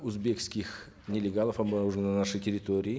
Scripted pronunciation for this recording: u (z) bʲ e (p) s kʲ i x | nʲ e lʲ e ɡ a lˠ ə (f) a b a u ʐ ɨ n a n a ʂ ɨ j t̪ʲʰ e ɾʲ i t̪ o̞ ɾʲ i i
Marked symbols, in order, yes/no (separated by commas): yes, no, yes